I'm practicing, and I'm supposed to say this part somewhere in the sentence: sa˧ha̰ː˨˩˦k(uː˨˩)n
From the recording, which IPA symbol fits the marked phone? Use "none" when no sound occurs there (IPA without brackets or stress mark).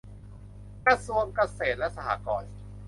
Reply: ɔː˨˩